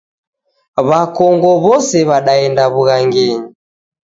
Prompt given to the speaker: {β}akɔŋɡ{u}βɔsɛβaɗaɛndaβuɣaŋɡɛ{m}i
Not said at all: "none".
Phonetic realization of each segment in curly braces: β, ɔ, ɲ

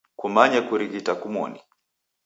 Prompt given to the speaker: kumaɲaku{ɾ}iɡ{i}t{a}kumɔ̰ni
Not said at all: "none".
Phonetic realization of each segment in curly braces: ɾ, i, a

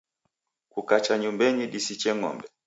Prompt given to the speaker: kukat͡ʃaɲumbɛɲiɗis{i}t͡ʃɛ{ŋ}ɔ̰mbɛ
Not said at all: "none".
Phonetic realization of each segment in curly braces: i, ŋ

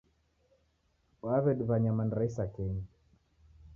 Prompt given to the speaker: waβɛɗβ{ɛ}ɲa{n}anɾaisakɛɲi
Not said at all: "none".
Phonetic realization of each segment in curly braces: a, m

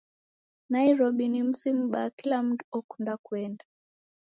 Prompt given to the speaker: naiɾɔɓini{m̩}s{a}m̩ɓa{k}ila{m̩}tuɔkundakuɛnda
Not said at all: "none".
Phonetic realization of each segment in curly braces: m̩, i, k, m̩

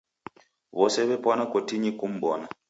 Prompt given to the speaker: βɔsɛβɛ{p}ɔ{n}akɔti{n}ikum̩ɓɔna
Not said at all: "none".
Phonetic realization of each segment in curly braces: p, n, ɲ

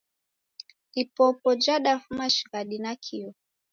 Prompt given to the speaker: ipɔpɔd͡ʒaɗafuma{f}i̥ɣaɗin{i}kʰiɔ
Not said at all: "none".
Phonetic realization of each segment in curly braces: ʃ, a

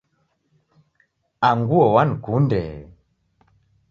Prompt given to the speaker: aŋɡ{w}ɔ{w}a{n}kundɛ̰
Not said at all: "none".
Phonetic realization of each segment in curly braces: u, w, n

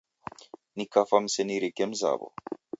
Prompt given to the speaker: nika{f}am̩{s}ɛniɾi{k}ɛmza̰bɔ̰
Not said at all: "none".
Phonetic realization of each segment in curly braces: f, s, k

